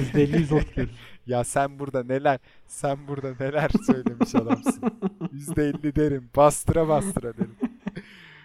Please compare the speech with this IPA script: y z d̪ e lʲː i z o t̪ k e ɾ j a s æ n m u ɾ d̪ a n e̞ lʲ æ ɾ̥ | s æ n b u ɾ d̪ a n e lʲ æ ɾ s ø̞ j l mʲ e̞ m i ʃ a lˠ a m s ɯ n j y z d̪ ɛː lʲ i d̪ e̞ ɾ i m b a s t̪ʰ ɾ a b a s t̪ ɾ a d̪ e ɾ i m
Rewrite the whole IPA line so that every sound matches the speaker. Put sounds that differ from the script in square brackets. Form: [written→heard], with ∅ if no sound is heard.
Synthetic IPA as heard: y z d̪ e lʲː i z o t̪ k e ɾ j a s æ n [m→b] u ɾ d̪ a n e̞ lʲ æ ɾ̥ | s æ n b u ɾ d̪ a n e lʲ æ ɾ s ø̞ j l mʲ e̞ m i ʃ a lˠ a m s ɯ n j y z d̪ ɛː [lʲ→lʲː] i d̪ e̞ ɾ i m b a s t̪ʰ ɾ a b a s t̪ ɾ a d̪ e ɾ i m